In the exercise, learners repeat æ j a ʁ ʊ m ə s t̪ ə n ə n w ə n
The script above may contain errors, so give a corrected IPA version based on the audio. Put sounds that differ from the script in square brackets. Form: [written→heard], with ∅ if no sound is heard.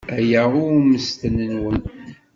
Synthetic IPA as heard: æ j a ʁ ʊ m ə s t̪ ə n ə n w ə n